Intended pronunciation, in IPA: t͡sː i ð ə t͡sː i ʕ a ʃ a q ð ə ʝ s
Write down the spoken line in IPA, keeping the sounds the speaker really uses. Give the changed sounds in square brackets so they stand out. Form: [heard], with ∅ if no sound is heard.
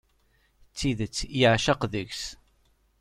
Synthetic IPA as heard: t͡sː i ð ə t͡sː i ʕ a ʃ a q ð ə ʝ s